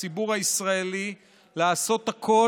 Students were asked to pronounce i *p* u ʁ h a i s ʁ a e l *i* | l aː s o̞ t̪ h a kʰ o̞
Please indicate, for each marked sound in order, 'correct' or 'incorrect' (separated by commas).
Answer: incorrect, correct